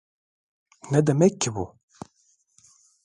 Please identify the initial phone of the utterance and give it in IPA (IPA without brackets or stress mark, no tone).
n